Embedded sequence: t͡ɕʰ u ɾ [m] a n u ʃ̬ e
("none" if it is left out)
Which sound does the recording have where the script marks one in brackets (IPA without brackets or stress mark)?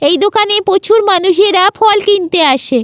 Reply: m